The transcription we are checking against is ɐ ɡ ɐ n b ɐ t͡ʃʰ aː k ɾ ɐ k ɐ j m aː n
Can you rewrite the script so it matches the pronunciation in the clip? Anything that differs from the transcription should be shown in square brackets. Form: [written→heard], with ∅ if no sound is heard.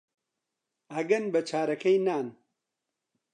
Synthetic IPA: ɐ ɡ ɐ n b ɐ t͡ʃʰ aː [k→∅] ɾ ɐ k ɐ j [m→n] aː n